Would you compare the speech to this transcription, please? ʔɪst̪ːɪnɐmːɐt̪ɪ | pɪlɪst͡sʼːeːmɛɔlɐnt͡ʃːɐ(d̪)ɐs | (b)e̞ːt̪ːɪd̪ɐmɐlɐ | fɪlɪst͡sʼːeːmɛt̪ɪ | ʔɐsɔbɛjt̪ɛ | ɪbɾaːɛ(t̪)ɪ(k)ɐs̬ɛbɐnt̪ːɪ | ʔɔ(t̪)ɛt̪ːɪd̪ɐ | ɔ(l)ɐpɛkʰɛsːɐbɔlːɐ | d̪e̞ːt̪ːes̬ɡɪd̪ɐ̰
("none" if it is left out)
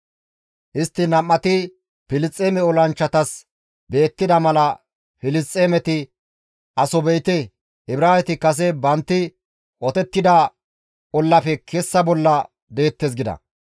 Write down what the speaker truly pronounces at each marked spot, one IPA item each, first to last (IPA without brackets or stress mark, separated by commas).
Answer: t̪, b, t̪, k, t̪, lː